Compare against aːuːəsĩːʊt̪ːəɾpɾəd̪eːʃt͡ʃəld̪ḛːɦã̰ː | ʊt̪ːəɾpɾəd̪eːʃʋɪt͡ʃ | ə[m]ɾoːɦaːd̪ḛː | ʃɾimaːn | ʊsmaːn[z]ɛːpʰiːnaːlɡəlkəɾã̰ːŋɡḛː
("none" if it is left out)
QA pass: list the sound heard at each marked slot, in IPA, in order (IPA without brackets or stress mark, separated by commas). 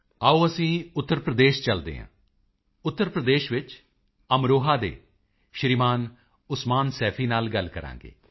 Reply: m, s